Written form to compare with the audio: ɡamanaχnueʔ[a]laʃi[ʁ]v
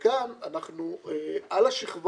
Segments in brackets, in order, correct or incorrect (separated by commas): correct, incorrect